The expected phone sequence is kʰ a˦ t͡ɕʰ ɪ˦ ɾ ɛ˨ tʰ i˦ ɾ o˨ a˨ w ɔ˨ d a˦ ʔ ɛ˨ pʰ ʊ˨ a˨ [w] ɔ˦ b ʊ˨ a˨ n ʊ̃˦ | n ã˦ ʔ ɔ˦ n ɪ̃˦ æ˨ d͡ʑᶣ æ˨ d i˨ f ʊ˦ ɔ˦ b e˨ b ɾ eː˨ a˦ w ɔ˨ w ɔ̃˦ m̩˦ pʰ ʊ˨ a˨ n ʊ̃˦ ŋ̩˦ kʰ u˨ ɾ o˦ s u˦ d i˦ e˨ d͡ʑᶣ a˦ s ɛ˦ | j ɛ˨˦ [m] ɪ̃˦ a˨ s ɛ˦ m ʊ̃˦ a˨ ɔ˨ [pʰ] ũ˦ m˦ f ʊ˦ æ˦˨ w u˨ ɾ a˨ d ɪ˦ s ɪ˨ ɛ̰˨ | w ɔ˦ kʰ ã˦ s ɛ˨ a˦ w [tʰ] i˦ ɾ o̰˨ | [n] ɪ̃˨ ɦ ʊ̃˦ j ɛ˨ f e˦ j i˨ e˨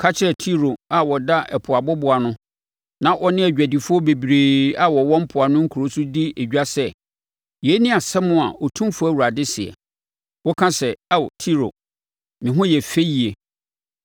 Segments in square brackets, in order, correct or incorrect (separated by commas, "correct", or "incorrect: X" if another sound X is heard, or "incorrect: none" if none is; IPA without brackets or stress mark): incorrect: b, incorrect: n, incorrect: tʰ, correct, incorrect: m